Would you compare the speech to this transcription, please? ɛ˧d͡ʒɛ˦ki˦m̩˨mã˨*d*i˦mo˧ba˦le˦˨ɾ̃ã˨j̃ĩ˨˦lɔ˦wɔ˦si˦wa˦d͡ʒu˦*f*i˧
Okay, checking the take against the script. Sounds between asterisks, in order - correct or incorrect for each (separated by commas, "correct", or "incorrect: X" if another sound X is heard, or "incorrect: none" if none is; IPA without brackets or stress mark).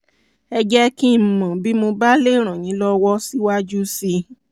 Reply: incorrect: b, incorrect: s